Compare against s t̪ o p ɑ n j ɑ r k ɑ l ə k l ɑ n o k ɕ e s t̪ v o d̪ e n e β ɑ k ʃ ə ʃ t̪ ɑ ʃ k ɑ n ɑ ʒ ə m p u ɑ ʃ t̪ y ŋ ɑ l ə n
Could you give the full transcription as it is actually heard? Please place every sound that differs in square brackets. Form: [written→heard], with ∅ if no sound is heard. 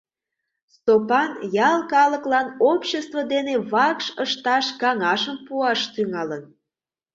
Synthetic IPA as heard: s t̪ o p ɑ n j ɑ [r→l] k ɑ l ə k l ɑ n o [k→p] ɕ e s t̪ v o d̪ e n e β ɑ k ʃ ə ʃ t̪ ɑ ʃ k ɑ [n→ŋ] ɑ [ʒ→ʃ] ə m p u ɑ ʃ t̪ y ŋ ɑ l ə n